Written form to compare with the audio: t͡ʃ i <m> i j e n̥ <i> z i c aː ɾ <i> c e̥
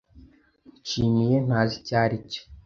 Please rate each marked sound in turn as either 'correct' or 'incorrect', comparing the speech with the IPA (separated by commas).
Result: incorrect, incorrect, correct